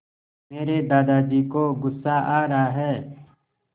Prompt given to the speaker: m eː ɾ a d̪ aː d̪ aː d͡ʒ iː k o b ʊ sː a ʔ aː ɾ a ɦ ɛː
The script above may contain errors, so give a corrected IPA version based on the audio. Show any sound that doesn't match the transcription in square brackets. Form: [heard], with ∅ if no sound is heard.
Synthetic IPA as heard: m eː ɾ [e] d̪ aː d̪ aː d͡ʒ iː k o [ɡ] ʊ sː a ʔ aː ɾ a ɦ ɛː